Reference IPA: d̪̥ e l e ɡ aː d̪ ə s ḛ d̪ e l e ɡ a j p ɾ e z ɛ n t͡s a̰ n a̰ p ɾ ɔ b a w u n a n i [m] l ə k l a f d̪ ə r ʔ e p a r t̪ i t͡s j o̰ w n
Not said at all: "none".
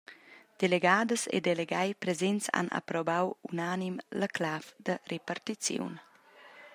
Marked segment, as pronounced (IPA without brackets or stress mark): m